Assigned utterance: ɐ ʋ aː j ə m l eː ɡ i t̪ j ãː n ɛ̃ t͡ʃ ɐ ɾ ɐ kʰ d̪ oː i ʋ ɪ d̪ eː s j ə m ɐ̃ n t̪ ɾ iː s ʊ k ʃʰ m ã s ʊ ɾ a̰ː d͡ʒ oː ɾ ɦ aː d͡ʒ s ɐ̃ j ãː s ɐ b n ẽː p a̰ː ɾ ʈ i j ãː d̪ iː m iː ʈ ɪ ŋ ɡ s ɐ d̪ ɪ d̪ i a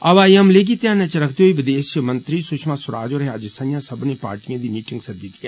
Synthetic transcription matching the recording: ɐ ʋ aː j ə m l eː ɡ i t̪ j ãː n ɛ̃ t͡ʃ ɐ ɾ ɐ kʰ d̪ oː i ʋ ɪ d̪ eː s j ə m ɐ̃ n t̪ ɾ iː s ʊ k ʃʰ m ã s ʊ ɾ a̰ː d͡ʒ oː ɾ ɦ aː d͡ʒ s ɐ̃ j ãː s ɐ b n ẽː p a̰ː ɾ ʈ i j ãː d̪ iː m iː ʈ ɪ ŋ ɡ s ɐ d̪ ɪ t̪ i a